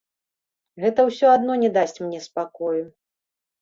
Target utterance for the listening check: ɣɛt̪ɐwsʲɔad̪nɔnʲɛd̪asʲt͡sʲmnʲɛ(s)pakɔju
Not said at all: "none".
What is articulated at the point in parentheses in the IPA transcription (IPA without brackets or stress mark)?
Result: s